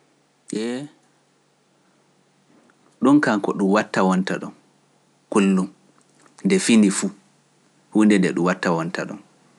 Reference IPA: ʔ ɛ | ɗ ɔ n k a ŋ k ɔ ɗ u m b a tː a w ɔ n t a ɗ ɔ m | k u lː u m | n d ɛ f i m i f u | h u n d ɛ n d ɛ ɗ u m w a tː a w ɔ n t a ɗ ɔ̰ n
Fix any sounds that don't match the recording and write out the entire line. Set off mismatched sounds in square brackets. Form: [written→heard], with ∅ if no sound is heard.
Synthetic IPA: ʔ ɛ | ɗ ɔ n k a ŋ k ɔ ɗ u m [b→w] a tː a w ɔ n t a ɗ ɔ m | k u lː u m | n d ɛ f i [m→n] i f u | h u n d ɛ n d ɛ ɗ u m w a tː a w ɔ n t a ɗ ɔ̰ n